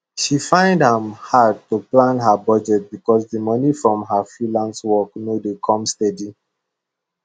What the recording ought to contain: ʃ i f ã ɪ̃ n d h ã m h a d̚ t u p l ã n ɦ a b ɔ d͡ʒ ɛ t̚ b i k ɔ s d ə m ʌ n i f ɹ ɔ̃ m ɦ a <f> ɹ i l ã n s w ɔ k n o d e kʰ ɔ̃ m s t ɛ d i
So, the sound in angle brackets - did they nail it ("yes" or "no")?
yes